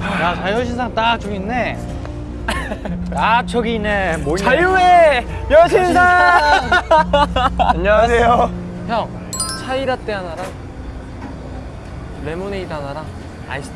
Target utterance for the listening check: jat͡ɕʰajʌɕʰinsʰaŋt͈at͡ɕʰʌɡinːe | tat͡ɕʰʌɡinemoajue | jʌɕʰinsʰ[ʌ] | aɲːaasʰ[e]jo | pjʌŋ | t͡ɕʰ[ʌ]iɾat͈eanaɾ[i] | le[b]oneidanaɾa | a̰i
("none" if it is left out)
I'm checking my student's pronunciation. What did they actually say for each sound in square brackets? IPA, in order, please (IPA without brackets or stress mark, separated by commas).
a, e, a, a, m